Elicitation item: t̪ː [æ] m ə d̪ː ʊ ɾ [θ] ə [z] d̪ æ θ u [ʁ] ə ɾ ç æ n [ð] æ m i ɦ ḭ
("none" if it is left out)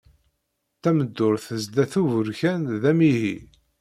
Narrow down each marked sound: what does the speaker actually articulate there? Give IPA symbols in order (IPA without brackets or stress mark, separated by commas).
æ, θ, z, v, ð